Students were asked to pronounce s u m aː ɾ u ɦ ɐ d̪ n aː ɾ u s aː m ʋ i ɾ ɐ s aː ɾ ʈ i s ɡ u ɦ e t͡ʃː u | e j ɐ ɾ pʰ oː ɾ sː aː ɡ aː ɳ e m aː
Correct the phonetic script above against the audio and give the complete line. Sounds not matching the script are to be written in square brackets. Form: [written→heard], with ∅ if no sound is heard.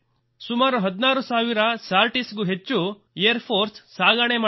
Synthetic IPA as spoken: s u m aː ɾ u ɦ ɐ d̪ n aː ɾ u s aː [m→∅] ʋ i ɾ ɐ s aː ɾ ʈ i s ɡ u ɦ e t͡ʃː u | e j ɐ ɾ pʰ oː ɾ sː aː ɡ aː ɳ e m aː